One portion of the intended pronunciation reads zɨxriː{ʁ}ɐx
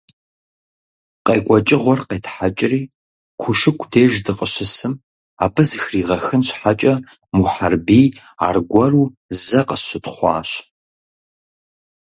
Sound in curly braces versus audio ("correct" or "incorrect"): correct